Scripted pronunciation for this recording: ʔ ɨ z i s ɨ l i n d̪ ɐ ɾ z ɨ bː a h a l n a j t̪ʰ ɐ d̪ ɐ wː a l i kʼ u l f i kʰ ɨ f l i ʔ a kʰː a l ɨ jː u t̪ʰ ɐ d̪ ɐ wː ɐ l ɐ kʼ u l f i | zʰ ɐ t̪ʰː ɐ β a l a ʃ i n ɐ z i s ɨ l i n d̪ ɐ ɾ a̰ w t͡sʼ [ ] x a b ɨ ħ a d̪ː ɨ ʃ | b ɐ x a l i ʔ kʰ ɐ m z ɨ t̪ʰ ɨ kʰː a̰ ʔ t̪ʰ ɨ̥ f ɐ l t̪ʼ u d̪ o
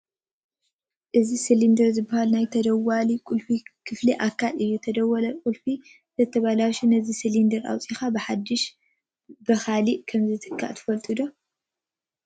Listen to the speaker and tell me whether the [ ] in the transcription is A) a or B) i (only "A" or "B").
B